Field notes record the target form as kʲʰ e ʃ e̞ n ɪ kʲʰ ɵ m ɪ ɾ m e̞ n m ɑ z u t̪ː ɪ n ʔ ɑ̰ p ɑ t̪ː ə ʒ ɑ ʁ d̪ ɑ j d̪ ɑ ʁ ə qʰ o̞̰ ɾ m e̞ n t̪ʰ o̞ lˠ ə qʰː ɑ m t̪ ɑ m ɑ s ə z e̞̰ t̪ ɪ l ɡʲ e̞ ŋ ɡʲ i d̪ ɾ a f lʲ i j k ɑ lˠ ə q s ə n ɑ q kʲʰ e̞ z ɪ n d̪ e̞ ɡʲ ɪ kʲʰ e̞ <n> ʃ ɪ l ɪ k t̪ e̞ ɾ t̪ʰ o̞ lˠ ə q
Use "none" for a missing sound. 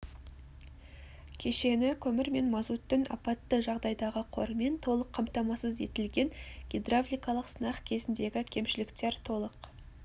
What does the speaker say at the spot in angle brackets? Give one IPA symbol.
m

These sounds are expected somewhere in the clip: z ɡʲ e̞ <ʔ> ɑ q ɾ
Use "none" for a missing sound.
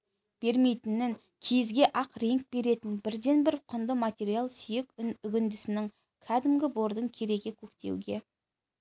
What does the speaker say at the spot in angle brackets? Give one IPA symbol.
ʔ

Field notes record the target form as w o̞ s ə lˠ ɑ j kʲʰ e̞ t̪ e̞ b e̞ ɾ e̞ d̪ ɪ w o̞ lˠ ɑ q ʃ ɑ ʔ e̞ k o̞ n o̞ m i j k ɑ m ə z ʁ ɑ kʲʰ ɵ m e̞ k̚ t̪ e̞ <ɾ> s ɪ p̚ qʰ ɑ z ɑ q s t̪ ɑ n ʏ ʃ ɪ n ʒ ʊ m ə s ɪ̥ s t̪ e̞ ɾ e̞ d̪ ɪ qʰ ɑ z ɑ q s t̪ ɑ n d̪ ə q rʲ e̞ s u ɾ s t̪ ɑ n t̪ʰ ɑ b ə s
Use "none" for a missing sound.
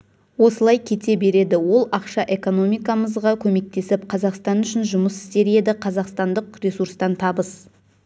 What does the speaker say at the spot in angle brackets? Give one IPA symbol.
none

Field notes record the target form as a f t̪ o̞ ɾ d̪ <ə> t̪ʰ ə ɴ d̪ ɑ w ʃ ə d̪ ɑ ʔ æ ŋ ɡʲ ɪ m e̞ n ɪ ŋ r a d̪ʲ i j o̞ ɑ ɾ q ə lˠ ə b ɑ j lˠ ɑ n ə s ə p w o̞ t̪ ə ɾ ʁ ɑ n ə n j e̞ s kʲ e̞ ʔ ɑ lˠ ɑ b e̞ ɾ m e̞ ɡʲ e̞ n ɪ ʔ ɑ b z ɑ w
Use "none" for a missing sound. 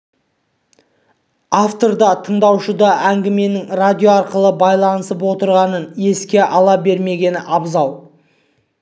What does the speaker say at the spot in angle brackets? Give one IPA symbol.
ɑ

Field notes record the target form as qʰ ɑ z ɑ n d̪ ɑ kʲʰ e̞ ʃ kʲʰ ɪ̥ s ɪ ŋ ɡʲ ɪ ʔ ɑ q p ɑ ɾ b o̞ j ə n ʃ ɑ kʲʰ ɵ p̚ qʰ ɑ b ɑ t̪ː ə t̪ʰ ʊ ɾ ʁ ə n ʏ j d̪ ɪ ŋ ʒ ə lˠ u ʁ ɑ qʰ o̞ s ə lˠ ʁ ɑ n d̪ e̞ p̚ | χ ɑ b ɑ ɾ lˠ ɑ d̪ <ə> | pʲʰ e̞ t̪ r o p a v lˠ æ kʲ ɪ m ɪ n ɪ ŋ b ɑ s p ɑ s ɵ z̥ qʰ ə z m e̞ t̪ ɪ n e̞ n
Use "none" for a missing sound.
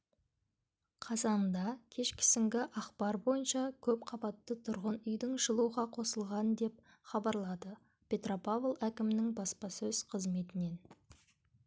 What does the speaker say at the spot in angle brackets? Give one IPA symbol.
ə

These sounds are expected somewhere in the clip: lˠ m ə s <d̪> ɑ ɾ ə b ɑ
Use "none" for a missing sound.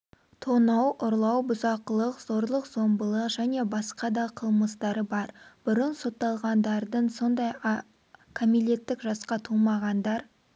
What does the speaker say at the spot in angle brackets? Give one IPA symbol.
t̪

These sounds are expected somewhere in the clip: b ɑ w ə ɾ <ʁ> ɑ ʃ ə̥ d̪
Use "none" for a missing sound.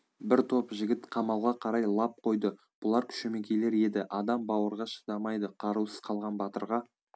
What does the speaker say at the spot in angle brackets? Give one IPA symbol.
ʁ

